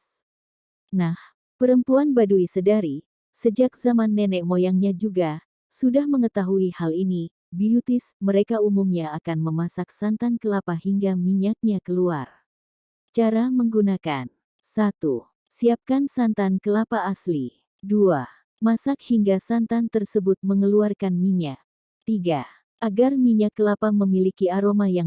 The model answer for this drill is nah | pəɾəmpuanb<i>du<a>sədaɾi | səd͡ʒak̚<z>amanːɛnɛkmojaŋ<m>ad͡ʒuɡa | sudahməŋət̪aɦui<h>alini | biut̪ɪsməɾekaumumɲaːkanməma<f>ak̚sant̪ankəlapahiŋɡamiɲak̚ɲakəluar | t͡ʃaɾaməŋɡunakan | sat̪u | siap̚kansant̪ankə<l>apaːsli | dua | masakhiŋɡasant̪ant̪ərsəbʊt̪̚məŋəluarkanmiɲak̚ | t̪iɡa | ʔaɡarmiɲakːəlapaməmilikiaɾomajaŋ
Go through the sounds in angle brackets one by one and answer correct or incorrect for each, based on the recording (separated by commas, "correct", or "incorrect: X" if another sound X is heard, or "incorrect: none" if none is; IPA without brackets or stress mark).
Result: incorrect: a, incorrect: i, correct, incorrect: ɲ, correct, incorrect: s, correct